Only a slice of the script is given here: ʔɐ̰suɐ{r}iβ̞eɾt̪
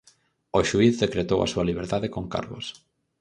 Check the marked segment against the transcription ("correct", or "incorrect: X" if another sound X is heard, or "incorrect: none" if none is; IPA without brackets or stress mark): incorrect: l